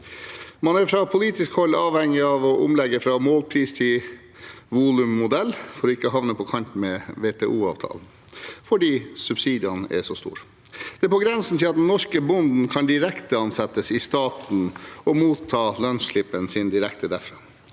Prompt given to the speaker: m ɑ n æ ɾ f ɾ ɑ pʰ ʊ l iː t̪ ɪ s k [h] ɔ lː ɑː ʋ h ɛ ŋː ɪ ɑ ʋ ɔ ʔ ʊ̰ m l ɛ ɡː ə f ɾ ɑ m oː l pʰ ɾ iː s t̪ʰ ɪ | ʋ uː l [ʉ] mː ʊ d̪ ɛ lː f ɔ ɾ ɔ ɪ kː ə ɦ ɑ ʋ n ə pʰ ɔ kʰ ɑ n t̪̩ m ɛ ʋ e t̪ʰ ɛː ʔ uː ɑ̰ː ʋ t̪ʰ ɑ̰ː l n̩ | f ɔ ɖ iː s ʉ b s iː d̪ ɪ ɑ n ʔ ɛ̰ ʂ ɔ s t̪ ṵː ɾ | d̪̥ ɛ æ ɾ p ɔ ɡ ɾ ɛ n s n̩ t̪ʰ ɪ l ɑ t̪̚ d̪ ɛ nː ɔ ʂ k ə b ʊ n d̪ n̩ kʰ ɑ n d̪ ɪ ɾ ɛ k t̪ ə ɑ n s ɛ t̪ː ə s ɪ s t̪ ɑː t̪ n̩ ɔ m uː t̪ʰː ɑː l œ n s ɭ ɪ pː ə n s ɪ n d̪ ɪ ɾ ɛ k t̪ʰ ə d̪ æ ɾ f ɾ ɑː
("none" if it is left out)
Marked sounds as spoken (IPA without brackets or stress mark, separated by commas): h, ʉ